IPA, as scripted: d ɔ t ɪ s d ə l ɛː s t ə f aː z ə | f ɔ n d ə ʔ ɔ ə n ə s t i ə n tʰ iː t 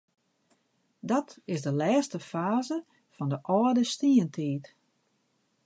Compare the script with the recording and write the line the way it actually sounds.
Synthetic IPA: d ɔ t ɪ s d ə l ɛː s t ə f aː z ə | f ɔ n d ə ʔ ɔ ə d ə s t i ə n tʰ iː t